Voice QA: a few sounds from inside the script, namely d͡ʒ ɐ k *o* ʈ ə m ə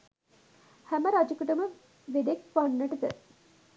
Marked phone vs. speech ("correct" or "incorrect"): incorrect